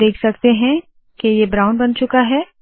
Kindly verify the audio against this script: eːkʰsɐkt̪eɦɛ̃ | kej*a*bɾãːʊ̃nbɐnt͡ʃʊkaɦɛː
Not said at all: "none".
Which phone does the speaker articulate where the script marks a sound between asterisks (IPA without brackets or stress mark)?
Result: e